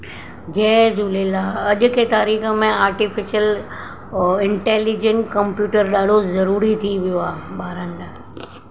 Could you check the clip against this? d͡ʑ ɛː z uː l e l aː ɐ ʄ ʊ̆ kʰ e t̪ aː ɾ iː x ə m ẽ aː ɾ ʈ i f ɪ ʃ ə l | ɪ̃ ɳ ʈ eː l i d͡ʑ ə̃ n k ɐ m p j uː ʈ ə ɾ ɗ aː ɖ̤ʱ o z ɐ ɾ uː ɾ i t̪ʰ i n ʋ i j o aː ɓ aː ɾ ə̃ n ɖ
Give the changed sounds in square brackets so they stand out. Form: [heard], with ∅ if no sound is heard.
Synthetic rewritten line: d͡ʑ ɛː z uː l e l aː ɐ ʄ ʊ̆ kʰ e t̪ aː ɾ iː x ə m ẽ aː ɾ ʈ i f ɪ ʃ ə l | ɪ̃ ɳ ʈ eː l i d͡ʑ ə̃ n k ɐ m p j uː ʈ ə ɾ ɗ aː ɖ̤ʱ o z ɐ ɾ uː ɾ i t̪ʰ i [∅] ʋ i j o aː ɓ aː ɾ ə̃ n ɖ